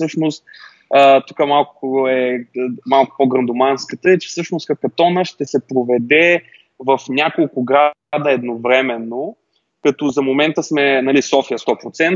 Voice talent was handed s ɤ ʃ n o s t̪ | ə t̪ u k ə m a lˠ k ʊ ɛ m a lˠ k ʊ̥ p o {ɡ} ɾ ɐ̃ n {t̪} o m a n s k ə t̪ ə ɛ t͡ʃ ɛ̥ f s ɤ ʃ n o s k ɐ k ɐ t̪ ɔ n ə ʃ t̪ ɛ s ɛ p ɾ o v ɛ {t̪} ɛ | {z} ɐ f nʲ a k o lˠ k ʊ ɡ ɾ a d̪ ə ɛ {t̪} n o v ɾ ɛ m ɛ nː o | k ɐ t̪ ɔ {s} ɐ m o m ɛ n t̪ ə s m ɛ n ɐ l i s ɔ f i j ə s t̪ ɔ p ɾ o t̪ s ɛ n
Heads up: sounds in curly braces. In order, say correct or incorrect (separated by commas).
correct, incorrect, incorrect, incorrect, incorrect, incorrect